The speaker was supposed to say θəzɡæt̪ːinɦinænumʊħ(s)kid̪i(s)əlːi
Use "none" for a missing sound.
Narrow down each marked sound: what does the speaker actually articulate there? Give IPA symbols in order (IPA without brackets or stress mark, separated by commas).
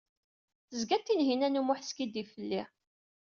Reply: s, f